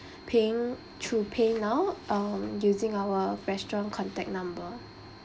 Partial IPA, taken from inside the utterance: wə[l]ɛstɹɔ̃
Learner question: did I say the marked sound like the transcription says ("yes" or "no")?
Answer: no